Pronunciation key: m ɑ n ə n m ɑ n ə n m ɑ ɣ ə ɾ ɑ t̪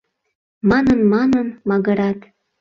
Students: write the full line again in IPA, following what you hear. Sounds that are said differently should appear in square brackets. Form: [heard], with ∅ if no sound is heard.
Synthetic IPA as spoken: m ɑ n ə n m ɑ n ə n m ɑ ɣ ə ɾ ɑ t̪